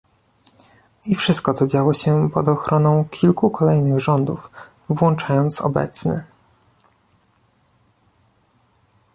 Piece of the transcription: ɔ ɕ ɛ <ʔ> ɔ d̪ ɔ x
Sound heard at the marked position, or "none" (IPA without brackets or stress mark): p